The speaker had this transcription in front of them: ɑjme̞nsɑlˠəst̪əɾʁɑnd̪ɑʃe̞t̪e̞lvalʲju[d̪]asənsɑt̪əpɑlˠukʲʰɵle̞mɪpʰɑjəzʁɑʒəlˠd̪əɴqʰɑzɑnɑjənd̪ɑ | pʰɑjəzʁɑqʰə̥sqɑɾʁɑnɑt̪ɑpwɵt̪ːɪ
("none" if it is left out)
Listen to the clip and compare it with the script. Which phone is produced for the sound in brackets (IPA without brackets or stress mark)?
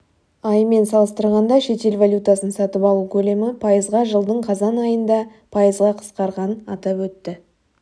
t̪